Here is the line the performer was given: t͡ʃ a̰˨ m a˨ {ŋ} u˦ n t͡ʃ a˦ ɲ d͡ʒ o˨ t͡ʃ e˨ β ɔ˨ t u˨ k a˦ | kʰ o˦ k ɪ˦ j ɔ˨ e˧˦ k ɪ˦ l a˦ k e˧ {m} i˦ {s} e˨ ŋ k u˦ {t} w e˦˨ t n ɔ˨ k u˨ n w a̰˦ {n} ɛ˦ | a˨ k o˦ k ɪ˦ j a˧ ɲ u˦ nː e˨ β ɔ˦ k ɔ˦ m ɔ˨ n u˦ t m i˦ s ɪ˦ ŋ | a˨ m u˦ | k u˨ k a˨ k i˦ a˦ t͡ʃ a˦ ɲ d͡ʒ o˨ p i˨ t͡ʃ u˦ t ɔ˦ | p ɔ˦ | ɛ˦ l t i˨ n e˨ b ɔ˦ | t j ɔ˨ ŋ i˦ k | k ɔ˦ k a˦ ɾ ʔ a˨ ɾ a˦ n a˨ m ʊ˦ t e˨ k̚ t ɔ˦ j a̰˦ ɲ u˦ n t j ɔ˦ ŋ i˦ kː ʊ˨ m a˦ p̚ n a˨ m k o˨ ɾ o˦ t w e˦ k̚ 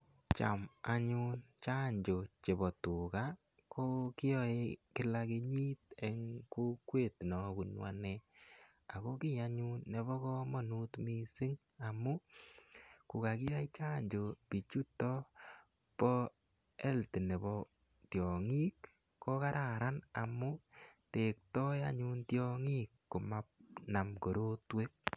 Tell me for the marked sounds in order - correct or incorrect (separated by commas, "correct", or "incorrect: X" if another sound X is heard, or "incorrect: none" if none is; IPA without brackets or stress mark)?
incorrect: ɲ, incorrect: ɲ, incorrect: t, incorrect: k, correct